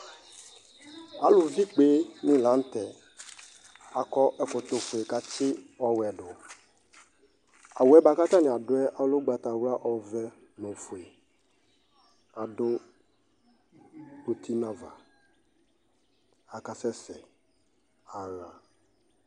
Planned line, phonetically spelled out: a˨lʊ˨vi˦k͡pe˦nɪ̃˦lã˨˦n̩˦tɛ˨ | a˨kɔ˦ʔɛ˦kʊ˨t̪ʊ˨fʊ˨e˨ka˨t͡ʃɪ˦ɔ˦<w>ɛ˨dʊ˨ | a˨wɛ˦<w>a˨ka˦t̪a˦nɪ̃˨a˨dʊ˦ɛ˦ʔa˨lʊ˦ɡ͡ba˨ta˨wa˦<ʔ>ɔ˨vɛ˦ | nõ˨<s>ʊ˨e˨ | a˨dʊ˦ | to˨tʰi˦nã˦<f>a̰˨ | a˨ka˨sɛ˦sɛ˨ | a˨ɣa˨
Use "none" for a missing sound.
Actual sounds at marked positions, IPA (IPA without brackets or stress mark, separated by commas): w, b, ʔ, f, v